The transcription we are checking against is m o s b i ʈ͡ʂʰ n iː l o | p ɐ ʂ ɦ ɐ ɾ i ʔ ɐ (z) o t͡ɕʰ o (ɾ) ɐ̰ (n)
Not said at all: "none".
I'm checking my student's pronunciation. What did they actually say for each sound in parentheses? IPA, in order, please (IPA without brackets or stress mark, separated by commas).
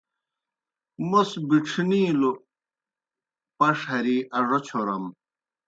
ʐ, ɾ, m